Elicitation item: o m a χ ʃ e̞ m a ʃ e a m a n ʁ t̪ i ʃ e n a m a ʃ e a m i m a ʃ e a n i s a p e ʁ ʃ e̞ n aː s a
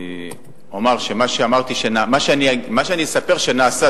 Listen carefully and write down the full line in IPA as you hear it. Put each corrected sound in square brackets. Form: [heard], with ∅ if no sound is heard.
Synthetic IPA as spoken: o m a [ʁ] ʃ e̞ m a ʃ e a m a [∅] ʁ t̪ i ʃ e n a m a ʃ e a [n] i m a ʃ e a n i s a p e ʁ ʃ e̞ n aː s a